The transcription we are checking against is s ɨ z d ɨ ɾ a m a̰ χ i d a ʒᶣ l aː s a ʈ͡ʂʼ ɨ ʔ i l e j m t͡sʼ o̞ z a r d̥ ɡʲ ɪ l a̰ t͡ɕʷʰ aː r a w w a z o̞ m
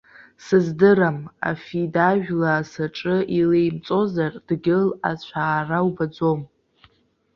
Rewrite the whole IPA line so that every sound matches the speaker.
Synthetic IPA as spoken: s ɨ z d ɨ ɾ a m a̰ f i d a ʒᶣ l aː s a ʈ͡ʂʼ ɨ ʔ i l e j m t͡sʼ o̞ z a r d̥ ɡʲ ɪ l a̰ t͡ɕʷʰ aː r a w b a d͡z o̞ m